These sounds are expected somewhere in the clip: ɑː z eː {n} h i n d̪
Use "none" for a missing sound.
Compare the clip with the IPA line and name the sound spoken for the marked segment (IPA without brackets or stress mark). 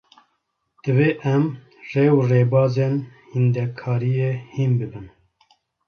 n